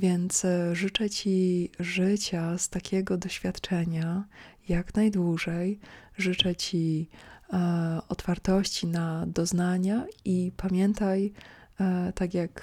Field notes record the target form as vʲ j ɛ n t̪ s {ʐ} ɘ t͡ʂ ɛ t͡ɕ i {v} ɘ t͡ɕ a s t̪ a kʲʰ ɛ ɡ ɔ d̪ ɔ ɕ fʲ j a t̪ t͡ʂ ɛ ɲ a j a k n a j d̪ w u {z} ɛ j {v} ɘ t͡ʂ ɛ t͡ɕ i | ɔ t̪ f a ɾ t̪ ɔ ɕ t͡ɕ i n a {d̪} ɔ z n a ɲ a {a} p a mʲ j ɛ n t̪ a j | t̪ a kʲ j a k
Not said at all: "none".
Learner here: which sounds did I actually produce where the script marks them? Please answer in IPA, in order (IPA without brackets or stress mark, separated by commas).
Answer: ʐ, ʐ, ʐ, ʐ, d̪, i